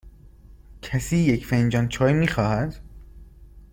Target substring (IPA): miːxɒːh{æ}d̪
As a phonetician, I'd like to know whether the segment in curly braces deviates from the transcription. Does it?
no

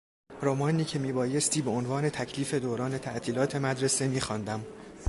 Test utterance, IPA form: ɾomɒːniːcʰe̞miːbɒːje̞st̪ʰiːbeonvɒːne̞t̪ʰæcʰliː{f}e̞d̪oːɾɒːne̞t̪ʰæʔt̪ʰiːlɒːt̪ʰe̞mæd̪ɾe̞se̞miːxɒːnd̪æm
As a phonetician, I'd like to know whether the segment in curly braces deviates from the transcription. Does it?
no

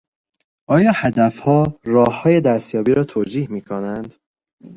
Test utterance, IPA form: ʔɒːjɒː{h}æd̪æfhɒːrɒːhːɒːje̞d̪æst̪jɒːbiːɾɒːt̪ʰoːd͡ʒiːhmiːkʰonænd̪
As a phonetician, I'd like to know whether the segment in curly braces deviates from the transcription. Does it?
no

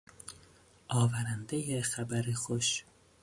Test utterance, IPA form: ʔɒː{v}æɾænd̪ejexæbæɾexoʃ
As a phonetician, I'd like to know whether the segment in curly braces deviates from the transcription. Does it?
no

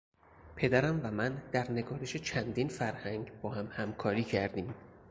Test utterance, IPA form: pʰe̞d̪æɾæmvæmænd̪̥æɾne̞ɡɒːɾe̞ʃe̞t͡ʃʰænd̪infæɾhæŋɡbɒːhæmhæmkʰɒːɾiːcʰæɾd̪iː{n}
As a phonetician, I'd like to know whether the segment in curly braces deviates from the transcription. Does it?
yes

